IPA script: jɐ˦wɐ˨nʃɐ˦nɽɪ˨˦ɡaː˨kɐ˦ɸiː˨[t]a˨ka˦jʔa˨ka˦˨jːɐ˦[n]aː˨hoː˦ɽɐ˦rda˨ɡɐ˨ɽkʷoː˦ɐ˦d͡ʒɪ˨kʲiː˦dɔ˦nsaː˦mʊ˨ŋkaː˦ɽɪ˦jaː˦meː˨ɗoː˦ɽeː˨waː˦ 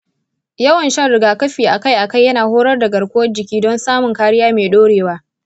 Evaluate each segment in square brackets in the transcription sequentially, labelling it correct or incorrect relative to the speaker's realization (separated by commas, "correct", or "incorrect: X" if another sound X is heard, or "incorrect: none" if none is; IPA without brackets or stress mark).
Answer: incorrect: ʔ, correct